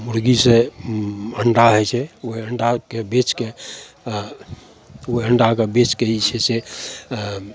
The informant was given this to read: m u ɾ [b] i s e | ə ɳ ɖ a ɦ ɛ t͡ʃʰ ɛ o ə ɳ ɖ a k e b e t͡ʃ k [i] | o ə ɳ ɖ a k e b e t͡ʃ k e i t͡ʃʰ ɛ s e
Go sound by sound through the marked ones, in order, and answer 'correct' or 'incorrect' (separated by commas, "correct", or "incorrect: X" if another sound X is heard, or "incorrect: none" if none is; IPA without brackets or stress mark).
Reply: incorrect: ɡ, incorrect: e